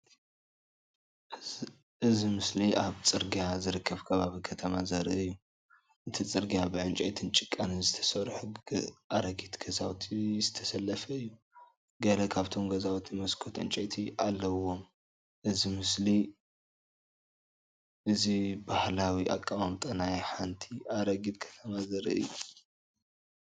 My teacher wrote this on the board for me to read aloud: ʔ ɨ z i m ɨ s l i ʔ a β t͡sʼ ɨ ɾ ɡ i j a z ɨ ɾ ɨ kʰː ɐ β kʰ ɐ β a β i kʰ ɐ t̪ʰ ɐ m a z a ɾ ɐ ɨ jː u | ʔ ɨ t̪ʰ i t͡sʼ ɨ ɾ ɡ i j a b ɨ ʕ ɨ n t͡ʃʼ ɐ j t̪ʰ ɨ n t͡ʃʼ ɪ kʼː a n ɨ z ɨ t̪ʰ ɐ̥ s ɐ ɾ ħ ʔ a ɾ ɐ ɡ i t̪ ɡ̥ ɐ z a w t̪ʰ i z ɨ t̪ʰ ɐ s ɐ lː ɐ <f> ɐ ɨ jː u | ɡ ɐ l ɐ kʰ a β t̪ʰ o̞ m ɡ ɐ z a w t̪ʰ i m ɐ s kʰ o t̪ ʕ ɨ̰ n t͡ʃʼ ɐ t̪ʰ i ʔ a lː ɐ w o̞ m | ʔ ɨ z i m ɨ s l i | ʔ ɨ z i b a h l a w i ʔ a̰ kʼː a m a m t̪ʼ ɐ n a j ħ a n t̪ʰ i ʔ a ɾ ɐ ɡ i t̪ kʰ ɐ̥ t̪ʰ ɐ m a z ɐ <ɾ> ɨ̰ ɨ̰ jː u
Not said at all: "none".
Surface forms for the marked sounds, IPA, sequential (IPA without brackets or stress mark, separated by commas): f, ɾ